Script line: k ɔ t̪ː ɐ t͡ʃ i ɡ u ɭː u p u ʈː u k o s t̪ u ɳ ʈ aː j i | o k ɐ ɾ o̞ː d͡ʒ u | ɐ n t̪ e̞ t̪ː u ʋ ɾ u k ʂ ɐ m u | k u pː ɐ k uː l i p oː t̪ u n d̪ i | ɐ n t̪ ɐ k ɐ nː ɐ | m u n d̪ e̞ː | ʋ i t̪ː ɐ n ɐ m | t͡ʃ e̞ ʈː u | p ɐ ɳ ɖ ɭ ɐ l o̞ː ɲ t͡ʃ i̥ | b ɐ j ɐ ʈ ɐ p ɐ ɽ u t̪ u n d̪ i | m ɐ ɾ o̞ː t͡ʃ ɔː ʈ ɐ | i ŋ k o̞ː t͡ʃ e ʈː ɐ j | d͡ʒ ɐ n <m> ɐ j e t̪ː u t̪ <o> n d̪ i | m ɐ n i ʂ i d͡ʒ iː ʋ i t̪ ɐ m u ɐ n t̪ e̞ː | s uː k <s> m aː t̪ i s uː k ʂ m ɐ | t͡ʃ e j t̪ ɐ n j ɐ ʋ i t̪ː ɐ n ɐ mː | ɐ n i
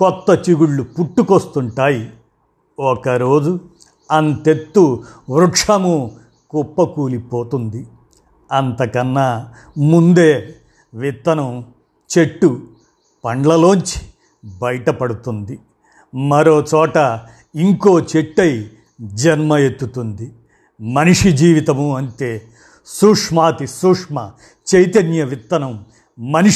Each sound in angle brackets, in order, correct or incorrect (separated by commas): correct, incorrect, incorrect